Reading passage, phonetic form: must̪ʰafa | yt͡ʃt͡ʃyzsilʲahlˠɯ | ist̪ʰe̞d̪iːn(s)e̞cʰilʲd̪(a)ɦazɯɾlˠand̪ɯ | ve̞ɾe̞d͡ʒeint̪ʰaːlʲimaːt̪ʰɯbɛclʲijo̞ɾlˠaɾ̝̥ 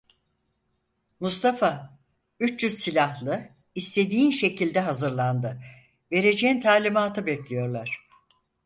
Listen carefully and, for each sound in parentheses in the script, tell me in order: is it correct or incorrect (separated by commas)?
incorrect, incorrect